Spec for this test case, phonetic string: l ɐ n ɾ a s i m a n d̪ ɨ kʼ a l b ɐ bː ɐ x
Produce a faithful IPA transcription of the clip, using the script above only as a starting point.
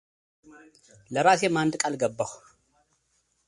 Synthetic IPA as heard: l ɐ ɾ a s e m a n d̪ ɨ kʼ a l ɡ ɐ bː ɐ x